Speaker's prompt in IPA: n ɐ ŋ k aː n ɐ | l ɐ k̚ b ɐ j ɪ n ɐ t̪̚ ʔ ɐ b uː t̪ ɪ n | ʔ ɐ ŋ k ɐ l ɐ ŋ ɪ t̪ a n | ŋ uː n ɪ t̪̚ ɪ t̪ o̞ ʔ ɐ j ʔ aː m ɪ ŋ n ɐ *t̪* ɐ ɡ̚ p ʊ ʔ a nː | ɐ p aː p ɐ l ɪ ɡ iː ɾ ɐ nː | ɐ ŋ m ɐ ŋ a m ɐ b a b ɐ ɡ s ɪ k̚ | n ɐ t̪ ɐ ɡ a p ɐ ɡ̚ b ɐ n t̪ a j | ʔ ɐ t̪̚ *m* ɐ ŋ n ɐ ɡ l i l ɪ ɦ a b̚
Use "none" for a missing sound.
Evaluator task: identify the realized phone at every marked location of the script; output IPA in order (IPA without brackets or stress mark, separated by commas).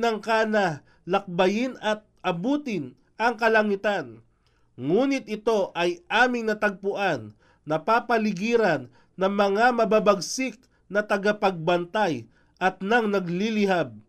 t̪, n